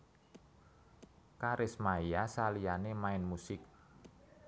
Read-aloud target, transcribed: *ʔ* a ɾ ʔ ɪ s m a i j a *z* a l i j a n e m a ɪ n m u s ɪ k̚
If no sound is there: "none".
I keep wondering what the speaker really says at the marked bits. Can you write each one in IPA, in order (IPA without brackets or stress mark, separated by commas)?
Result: k, s